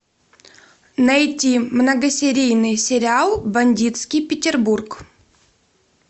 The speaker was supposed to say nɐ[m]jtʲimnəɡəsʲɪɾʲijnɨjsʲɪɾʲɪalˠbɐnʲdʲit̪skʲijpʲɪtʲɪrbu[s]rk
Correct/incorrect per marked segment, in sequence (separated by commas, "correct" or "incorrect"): incorrect, incorrect